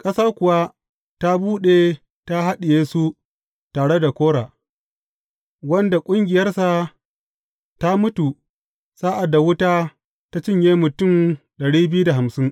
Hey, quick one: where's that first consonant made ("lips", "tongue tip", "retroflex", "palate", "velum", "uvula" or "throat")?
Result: velum